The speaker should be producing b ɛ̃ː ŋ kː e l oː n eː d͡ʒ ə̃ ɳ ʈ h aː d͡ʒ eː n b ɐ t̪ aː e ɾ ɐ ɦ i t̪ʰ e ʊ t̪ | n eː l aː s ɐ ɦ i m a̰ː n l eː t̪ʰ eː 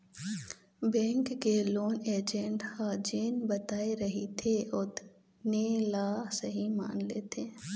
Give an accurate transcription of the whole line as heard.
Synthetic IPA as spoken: b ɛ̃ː ŋ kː e l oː n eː d͡ʒ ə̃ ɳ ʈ h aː d͡ʒ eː n b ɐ t̪ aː e ɾ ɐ ɦ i t̪ʰ e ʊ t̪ | n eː l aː s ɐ ɦ i m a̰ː n l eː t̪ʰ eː